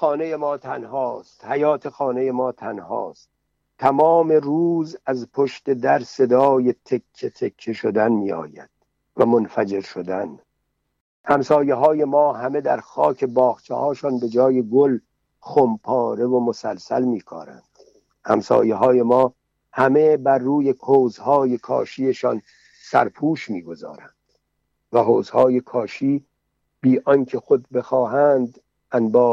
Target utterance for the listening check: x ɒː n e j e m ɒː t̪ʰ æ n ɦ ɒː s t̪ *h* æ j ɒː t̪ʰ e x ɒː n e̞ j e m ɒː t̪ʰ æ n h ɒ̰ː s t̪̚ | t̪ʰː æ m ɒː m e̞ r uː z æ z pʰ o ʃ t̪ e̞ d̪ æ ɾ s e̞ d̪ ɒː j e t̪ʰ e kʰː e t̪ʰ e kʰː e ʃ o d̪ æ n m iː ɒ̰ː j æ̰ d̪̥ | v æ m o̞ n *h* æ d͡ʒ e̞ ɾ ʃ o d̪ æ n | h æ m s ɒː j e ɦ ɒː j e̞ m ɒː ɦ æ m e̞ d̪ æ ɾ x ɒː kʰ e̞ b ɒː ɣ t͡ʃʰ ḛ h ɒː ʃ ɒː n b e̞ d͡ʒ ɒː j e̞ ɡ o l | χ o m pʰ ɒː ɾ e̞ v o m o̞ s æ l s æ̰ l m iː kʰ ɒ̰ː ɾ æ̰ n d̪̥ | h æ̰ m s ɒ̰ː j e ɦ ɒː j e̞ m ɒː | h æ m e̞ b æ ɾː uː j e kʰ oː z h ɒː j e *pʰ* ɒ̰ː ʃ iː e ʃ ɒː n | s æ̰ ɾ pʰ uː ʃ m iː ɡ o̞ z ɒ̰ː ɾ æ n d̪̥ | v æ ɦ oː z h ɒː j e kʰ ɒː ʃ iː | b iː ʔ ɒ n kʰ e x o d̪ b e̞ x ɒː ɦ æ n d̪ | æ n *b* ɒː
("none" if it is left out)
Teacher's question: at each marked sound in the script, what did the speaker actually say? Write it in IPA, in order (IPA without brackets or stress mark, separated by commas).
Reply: h, f, kʰ, b